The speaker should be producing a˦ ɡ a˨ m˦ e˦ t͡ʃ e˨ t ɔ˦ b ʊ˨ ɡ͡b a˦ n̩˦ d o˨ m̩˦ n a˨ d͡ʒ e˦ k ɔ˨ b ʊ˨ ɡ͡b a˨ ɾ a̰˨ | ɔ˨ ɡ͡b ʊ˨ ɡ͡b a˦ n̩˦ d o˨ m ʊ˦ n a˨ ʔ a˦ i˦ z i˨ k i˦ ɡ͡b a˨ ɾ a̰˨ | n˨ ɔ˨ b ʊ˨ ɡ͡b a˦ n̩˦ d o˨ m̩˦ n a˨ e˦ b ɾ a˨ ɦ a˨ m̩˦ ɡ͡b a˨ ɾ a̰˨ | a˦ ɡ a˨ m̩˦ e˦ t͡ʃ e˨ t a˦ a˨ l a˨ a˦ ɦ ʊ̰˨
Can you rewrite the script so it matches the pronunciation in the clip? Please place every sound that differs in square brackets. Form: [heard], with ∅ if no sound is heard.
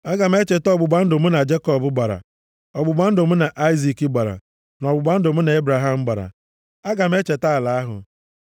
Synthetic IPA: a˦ ɡ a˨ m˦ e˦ t͡ʃ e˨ t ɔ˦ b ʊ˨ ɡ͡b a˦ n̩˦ d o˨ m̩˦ n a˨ d͡ʒ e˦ k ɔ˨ b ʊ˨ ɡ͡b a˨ ɾ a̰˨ | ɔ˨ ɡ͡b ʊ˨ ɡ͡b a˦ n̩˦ d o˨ m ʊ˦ n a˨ ʔ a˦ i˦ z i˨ k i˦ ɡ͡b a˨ ɾ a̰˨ | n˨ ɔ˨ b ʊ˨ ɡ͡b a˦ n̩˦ d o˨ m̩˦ n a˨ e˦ b ɾ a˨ ɦ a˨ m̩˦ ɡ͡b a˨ ɾ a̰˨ | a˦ ɡ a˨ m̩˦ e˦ t͡ʃ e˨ t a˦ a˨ l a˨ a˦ ɦ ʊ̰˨